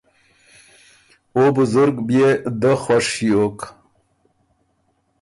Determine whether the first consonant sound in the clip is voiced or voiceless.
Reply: voiced